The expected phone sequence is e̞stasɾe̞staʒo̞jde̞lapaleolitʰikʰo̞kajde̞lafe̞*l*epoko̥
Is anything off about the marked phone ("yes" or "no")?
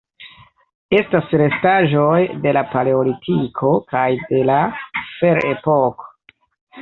yes